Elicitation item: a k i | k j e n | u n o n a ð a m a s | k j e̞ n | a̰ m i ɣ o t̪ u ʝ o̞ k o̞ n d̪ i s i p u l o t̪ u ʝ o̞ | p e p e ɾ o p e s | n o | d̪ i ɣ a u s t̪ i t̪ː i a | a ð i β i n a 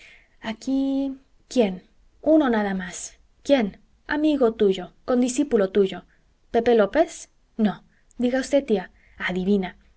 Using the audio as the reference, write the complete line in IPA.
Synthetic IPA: a k i | k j e n | u n o n a ð a m a s | k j e̞ n | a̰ m i ɣ o t̪ u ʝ o̞ k o̞ n d̪ i s i p u l o t̪ u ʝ o̞ | p e p e l o p e s | n o | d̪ i ɣ a u s t̪ e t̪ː i a | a ð i β i n a